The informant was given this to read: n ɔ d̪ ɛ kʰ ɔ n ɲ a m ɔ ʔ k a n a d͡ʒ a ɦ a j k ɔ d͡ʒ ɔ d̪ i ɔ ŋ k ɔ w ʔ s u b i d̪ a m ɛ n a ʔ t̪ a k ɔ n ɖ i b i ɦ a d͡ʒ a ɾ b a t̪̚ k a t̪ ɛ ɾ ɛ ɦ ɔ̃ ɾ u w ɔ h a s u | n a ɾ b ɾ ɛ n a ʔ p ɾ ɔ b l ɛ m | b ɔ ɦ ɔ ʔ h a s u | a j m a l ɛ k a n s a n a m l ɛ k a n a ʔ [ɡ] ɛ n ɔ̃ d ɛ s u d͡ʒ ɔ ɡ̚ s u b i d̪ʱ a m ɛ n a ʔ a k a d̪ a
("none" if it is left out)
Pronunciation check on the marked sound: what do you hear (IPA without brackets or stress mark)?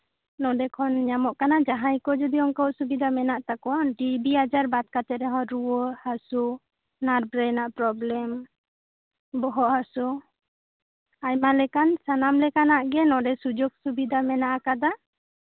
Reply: ɡ